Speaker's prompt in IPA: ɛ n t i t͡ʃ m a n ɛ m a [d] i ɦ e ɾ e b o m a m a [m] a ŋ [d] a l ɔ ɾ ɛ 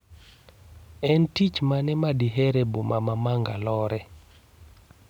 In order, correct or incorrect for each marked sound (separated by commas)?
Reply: correct, correct, incorrect